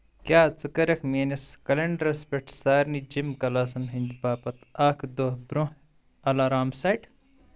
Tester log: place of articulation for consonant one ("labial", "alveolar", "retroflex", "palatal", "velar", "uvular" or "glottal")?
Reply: velar